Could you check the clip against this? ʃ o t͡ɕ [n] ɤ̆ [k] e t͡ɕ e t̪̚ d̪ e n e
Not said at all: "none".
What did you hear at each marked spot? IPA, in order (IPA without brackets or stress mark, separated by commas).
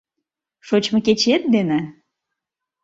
m, k